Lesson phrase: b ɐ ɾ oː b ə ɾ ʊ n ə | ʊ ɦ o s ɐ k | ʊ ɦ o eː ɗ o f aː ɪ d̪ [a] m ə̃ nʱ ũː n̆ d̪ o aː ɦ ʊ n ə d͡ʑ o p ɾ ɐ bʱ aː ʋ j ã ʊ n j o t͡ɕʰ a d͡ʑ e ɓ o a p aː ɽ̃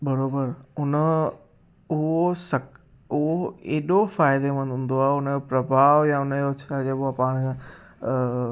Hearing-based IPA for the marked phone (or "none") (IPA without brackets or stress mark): e